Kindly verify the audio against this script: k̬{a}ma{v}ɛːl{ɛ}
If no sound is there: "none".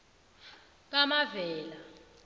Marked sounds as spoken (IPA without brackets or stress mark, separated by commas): a, v, a